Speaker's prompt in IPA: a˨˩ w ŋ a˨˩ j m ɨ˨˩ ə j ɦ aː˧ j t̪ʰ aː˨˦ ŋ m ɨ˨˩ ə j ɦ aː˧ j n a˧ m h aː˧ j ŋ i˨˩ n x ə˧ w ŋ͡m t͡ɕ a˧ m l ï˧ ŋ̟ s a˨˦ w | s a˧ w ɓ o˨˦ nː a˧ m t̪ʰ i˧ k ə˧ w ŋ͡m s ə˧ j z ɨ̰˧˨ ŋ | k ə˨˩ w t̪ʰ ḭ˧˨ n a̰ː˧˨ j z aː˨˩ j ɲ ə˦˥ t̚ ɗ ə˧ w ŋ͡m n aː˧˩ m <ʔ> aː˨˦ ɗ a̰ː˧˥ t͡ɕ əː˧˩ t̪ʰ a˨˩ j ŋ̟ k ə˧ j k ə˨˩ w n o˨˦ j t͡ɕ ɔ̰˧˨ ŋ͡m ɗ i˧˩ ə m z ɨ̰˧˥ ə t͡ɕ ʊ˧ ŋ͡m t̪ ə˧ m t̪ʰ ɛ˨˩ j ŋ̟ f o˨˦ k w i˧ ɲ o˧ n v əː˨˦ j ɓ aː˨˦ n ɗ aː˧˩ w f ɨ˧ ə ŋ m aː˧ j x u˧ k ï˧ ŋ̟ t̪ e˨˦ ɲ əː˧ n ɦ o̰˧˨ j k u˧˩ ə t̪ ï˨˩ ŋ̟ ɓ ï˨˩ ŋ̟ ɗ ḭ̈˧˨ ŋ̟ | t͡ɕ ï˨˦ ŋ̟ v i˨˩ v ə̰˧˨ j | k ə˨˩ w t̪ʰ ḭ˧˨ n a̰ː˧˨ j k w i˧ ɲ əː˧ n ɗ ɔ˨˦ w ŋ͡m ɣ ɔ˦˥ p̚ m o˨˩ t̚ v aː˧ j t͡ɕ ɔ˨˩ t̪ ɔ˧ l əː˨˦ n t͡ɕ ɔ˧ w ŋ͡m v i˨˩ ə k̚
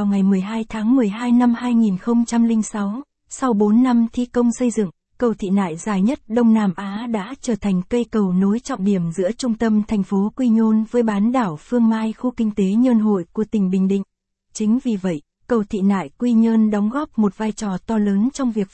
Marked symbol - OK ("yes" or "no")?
yes